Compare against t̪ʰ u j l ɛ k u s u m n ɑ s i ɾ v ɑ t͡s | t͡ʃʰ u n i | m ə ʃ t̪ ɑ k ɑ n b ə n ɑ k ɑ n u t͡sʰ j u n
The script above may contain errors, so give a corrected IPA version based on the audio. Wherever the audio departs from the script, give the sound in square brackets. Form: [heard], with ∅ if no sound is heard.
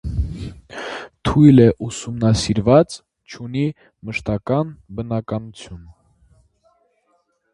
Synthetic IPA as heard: t̪ʰ u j l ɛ [ʔ] u s u m n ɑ s i ɾ v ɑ t͡s | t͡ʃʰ u n i | m ə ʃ t̪ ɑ k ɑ n b ə n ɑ k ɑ n u t͡sʰ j u n